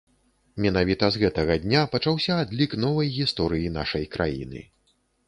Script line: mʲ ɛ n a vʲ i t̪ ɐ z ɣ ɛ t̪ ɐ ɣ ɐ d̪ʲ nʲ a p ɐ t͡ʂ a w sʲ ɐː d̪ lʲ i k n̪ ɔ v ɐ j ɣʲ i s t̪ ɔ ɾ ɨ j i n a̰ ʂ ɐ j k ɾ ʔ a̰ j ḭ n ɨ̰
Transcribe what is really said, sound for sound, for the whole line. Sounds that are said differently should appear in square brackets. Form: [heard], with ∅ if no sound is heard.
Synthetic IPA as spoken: mʲ ɛ n a vʲ i t̪ ɐ z ɣ ɛ t̪ ɐ ɣ ɐ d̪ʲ nʲ a p ɐ t͡ʂ a w sʲ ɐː d̪ lʲ i k n̪ ɔ v ɐ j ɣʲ i s t̪ ɔ ɾ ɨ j i n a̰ ʂ ɐ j k ɾ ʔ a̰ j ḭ n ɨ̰